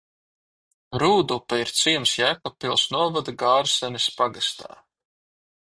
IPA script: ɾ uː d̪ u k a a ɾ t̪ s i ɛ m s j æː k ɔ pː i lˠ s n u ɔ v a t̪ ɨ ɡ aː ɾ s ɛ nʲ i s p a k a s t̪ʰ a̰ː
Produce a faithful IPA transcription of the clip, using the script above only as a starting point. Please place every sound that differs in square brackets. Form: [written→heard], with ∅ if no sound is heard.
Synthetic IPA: ɾ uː d̪ u [k→p] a [a→i] ɾ t̪ s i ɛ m s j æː k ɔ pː i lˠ s n u ɔ v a [t̪→d̪] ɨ ɡ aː ɾ s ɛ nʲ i s p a [k→ɡ] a s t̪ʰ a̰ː